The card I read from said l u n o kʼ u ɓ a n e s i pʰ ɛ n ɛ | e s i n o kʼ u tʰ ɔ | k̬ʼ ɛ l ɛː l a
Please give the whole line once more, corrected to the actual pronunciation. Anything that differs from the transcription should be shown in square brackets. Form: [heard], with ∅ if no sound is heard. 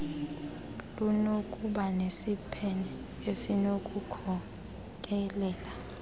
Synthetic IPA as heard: l u n o kʼ u ɓ a n e s i pʰ ɛ n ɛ | e s i n o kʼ u [kʰ] ɔ | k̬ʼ ɛ l ɛː l a